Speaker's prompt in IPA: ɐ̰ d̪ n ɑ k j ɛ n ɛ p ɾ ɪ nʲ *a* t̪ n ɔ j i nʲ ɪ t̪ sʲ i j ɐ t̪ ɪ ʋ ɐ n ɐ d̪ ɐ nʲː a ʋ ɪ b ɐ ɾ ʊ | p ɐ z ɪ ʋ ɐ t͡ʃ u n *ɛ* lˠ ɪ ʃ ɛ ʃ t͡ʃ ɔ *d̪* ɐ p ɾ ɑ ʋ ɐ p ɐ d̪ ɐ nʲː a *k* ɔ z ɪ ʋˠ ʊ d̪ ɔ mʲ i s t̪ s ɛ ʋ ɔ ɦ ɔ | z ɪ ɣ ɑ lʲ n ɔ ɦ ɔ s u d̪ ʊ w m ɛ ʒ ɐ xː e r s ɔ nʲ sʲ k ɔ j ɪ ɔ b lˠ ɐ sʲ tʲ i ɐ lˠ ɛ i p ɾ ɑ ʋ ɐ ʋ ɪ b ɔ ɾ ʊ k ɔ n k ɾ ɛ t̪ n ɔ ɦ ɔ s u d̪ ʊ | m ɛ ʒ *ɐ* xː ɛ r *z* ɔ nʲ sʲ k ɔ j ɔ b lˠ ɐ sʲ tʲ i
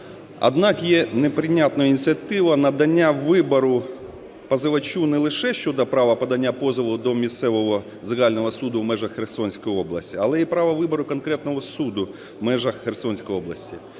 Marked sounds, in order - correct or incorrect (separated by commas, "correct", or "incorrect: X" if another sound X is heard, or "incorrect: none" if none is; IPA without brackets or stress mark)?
correct, correct, correct, incorrect: p, correct, incorrect: s